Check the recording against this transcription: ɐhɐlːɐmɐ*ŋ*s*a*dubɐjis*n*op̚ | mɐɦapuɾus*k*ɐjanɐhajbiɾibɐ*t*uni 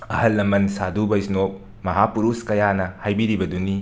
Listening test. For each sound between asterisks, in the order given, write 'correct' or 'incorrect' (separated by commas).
incorrect, correct, correct, correct, incorrect